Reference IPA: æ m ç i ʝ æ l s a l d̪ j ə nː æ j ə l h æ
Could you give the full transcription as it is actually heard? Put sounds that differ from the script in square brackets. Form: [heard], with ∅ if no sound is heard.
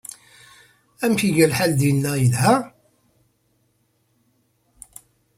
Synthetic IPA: æ m ç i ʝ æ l [ħ] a l d̪ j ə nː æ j ə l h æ